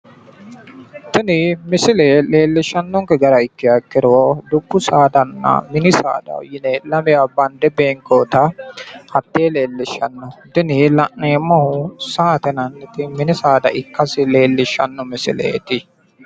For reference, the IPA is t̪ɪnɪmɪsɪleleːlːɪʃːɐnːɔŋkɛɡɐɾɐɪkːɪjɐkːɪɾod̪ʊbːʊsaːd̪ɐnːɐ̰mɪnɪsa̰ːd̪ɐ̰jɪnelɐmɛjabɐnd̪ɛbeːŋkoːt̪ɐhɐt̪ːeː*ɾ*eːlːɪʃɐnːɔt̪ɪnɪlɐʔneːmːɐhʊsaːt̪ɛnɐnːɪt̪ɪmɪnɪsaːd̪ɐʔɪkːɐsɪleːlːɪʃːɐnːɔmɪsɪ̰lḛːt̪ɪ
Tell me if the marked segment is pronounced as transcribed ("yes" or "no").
no